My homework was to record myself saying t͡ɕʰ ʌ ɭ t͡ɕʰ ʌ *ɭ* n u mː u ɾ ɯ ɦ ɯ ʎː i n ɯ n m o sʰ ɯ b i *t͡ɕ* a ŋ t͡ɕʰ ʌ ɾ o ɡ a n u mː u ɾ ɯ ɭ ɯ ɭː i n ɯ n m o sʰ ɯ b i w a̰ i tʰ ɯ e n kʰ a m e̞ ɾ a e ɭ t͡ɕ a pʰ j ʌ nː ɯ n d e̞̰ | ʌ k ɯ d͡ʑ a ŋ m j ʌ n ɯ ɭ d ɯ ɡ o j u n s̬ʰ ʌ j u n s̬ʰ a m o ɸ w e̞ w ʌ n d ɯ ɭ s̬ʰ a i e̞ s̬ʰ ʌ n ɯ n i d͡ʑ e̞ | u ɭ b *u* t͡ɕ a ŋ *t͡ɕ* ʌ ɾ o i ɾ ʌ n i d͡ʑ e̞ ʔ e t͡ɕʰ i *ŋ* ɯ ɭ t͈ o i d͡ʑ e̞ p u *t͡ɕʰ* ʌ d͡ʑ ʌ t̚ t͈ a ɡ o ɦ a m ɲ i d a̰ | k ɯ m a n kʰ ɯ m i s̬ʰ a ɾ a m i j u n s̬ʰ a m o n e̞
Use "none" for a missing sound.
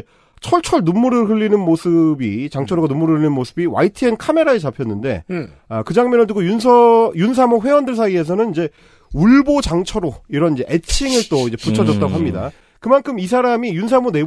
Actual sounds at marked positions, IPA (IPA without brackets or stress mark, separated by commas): ɭ, t͡ɕ, o, t͡ɕʰ, ŋ, t͡ɕʰ